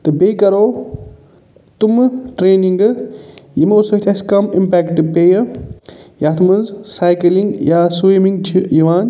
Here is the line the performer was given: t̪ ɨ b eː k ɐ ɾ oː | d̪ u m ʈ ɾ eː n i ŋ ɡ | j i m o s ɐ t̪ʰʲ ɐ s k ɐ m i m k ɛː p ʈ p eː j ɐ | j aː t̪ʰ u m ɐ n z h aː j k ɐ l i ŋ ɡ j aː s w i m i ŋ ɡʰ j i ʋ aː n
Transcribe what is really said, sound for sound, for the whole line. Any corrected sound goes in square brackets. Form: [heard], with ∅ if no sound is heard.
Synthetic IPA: t̪ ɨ b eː k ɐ ɾ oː | [t̪] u m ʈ ɾ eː n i ŋ ɡ | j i m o s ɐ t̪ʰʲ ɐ s k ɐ m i m [p] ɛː [k] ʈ p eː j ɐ | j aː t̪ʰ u m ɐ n z [s] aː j k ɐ l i ŋ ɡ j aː s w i m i ŋ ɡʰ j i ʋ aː n

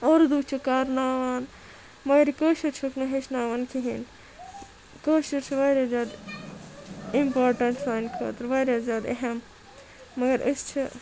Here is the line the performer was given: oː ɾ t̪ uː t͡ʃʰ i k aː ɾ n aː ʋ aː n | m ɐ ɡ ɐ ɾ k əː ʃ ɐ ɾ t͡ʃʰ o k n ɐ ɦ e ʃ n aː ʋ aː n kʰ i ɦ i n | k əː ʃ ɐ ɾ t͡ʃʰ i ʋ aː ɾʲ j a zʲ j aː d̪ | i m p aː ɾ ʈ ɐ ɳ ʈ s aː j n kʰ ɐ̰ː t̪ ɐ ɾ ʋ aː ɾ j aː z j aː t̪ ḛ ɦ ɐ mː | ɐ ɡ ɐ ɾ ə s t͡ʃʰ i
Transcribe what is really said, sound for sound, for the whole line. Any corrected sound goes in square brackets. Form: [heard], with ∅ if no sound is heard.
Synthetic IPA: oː ɾ [d̪] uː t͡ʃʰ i k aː ɾ n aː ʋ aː n | m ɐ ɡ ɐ ɾ k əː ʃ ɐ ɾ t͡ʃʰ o k n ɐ ɦ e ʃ n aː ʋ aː n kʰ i ɦ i n | k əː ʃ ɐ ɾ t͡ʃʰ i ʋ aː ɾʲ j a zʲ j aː d̪ | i m p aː ɾ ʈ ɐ ɳ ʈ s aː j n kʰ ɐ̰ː t̪ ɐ ɾ ʋ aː ɾ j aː z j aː [d̪] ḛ ɦ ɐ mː | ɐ ɡ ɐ ɾ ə s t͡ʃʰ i

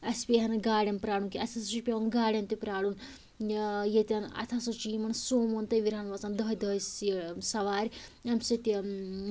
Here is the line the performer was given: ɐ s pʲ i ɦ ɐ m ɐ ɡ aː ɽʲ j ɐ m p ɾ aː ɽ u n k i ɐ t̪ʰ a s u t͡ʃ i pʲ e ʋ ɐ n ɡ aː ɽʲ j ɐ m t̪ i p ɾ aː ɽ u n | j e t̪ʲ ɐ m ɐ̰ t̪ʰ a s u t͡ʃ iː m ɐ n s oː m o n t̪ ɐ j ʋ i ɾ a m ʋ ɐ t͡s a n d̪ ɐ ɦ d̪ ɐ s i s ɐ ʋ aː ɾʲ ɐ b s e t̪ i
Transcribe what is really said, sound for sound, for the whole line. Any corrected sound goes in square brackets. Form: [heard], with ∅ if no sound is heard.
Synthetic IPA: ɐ s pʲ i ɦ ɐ [n] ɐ ɡ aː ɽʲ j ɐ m p ɾ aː ɽ u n k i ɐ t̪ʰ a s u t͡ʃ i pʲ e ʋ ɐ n ɡ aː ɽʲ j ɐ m t̪ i p ɾ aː ɽ u n | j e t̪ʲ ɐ [n] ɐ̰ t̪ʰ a s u t͡ʃ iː m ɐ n s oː m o n t̪ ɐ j ʋ i ɾ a [n] ʋ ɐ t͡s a n d̪ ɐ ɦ d̪ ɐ s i s ɐ ʋ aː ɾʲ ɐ [m] s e t̪ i

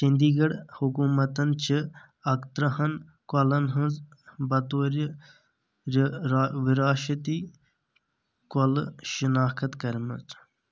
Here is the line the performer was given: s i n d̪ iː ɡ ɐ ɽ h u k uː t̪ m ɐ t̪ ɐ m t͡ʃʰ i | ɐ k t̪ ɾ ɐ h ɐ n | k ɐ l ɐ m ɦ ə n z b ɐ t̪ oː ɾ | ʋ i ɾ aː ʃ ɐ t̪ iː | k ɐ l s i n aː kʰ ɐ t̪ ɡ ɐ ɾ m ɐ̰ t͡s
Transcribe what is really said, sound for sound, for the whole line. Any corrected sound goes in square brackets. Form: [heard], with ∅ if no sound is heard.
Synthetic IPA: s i n d̪ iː ɡ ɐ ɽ h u k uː [∅] m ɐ t̪ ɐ [n] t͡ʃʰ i | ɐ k t̪ ɾ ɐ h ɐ n | k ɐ l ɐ [n] ɦ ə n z b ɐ t̪ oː ɾ | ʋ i ɾ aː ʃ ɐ t̪ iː | k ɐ l [ʃ] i n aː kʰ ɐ t̪ [k] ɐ ɾ m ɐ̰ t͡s

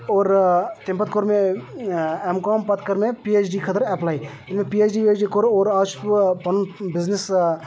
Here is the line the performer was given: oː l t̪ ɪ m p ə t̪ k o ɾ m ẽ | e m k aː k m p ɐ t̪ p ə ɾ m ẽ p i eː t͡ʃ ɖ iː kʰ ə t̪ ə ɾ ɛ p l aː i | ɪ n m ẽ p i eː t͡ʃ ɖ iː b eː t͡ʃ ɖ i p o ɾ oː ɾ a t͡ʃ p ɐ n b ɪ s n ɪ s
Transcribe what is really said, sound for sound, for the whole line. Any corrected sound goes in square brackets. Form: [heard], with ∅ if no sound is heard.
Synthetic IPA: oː [ɾ] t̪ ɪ m p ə t̪ k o ɾ m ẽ | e m k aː [∅] m p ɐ t̪ [k] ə ɾ m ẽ p i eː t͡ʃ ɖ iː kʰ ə t̪ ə ɾ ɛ p l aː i | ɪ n m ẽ p i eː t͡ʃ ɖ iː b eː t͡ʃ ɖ i [k] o ɾ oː ɾ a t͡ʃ p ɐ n b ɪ [z] n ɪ s

